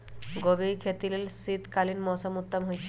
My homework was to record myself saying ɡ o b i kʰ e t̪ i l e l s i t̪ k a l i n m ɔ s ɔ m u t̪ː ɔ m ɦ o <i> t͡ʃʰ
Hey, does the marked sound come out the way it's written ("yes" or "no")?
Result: no